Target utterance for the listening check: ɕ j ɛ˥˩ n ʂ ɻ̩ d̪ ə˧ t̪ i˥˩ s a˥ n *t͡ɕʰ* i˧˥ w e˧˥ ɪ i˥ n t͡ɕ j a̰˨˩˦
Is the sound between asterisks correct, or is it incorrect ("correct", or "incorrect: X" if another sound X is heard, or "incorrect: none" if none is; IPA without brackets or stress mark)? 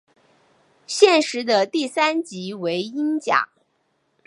incorrect: t͡ɕ